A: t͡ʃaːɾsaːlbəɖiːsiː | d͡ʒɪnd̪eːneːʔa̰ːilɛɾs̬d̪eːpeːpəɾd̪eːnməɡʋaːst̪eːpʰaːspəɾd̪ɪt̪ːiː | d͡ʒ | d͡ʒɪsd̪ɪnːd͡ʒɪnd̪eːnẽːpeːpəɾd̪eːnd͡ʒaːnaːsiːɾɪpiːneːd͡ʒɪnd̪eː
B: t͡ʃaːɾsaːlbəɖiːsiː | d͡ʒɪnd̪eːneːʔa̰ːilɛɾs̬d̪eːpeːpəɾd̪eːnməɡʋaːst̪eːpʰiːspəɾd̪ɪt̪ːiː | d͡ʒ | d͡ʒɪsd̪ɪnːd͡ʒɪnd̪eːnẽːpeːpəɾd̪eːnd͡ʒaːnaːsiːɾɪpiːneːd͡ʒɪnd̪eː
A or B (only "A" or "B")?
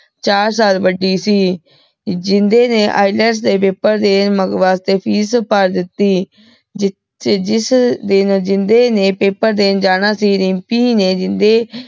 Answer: B